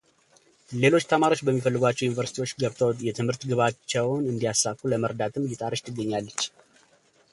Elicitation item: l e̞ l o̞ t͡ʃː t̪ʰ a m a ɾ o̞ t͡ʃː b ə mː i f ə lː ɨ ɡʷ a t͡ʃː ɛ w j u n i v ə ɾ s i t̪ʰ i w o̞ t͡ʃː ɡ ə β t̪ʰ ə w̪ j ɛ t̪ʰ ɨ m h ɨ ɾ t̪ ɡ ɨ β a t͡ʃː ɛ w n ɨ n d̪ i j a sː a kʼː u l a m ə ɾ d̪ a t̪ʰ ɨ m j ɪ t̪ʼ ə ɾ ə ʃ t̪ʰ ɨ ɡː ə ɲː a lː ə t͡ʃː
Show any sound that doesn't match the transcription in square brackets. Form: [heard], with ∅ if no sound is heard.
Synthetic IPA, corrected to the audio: l e̞ l o̞ t͡ʃː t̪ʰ [ə] m a ɾ o̞ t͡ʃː b ə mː i f ə lː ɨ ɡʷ a t͡ʃː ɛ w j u n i v ə ɾ s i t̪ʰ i w o̞ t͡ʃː ɡ ə β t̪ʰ ə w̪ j ɛ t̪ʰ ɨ m h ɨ ɾ t̪ ɡ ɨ β a t͡ʃː ɛ w n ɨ n d̪ i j a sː a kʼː u l [ə] m ə ɾ d̪ a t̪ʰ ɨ m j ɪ t̪ʼ [a] ɾ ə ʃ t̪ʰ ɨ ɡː ə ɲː a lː ə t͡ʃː